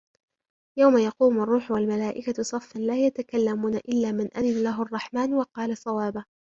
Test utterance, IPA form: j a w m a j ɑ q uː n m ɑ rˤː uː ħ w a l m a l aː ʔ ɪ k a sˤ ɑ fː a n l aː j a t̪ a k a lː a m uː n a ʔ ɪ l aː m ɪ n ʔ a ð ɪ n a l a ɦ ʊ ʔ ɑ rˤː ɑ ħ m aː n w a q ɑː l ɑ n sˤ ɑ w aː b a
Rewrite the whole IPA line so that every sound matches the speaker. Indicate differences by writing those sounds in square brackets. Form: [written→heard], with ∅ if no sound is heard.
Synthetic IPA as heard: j a w m a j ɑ q uː [n→∅] m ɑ rˤː uː ħ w a l m a l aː ʔ ɪ k a sˤ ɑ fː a n l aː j a t̪ a k a lː a m uː n a ʔ ɪ [l→lː] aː m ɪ n ʔ a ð ɪ n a l a ɦ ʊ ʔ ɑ rˤː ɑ ħ m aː n w [a→ɑ] q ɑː l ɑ [n→∅] sˤ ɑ w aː b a